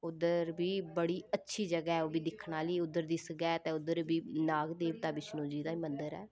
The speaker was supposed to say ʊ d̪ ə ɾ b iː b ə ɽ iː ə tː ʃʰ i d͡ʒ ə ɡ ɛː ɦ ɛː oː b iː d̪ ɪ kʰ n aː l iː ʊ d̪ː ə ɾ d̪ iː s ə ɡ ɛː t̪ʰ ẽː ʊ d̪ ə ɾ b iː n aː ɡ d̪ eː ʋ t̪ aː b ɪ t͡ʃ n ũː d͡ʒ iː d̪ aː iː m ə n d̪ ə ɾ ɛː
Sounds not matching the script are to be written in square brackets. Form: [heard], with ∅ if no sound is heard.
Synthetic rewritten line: ʊ d̪ ə ɾ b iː b ə ɽ iː ə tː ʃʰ [iː] d͡ʒ ə ɡ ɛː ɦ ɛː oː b iː d̪ ɪ kʰ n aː l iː ʊ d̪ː ə ɾ d̪ iː s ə ɡ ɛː [t̪] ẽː ʊ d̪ ə ɾ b iː n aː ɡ d̪ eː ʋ t̪ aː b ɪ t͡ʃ n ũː d͡ʒ iː d̪ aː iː m ə n d̪ ə ɾ ɛː